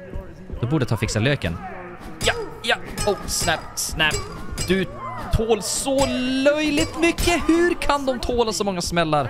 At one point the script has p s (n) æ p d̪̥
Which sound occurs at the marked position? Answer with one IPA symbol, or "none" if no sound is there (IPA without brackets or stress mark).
n